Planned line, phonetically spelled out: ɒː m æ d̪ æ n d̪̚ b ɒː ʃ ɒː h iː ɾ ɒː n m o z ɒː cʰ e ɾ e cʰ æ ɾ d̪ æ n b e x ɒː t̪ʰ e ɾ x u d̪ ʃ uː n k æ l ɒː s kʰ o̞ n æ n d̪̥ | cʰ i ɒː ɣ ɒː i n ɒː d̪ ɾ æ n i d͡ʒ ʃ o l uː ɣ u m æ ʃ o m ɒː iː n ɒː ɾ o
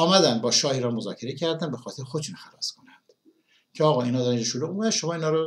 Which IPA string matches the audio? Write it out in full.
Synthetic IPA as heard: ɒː m æ d̪ æ n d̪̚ b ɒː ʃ ɒː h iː ɾ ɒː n m o z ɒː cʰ e ɾ e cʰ æ ɾ d̪ æ n b e x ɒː t̪ʰ e ɾ x o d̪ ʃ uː n x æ l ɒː s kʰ o̞ n æ n d̪̥ | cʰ e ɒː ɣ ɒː i n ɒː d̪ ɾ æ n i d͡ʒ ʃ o l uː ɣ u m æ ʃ o m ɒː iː n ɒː ɾ o